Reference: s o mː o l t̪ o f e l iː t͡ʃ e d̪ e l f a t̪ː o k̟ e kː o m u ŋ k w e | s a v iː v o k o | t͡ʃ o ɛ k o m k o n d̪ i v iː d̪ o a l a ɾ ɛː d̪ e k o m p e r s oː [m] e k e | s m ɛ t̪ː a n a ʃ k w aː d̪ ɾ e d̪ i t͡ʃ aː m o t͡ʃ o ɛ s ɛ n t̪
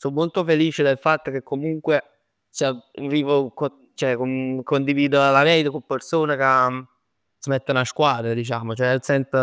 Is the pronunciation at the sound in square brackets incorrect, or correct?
incorrect